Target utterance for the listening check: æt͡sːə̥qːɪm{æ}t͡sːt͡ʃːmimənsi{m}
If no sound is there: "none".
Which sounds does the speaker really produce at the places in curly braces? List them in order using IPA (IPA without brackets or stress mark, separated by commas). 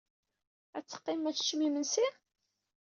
æ, none